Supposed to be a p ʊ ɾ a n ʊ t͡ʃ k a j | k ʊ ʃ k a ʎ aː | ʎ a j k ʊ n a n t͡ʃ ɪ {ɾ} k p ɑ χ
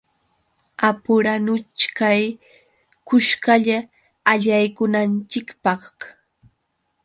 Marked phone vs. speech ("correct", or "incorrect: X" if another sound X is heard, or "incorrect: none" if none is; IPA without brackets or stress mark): incorrect: none